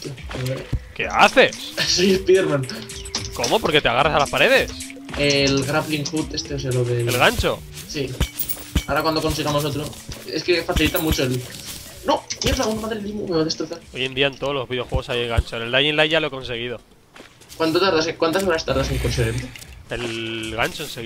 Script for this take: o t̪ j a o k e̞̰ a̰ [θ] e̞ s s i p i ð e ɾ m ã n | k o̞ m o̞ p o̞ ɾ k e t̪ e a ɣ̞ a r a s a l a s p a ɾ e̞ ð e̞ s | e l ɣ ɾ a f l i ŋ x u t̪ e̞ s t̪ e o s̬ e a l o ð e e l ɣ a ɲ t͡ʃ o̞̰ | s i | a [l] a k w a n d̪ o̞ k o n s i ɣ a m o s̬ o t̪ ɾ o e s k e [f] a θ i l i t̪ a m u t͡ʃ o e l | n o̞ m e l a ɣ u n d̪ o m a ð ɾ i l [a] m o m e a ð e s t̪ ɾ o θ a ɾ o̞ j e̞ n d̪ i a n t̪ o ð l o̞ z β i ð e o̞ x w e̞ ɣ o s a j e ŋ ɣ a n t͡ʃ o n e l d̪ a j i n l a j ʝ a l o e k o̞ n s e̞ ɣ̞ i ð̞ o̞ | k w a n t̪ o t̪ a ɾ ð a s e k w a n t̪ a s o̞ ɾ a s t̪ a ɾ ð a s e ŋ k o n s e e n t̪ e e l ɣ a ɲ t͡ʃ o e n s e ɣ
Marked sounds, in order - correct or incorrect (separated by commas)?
correct, incorrect, correct, incorrect